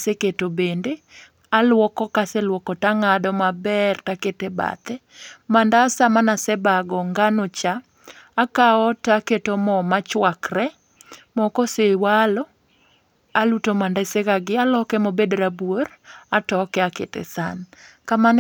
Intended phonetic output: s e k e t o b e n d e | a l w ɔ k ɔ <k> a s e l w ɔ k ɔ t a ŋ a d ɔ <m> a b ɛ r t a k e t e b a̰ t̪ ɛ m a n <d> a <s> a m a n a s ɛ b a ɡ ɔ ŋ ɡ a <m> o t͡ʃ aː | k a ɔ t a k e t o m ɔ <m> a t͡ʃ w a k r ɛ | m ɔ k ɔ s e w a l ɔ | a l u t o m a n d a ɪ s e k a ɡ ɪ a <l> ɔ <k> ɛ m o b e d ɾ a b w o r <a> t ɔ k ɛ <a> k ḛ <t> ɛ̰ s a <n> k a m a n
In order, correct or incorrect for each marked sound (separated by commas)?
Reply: correct, correct, correct, correct, incorrect, correct, correct, correct, correct, correct, correct, correct